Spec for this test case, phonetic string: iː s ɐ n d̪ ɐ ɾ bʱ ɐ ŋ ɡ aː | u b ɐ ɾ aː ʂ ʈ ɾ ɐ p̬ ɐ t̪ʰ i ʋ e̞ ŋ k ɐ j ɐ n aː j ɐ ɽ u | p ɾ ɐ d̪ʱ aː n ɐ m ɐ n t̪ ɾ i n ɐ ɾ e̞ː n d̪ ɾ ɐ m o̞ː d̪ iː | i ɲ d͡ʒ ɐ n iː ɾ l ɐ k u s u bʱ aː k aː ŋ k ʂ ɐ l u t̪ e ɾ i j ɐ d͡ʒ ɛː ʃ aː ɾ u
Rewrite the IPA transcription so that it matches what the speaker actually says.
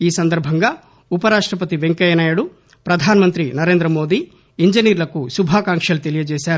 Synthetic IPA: iː s ɐ n d̪ ɐ ɾ bʱ ɐ ŋ ɡ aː | u p ɐ ɾ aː ʂ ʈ ɾ ɐ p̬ ɐ t̪ i ʋ e̞ ŋ k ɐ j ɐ n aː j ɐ ɽ u | p ɾ ɐ d̪ʱ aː n ɐ m ɐ n t̪ ɾ i n ɐ ɾ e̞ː n d̪ ɾ ɐ m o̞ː d̪ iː | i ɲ d͡ʒ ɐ n iː ɾ l ɐ k u s u bʱ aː k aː ŋ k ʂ ɐ l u t̪ e l i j ɐ d͡ʒ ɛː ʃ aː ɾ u